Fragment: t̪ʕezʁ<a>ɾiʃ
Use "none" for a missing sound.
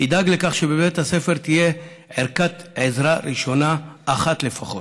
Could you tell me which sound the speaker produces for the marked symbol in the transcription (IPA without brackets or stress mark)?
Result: a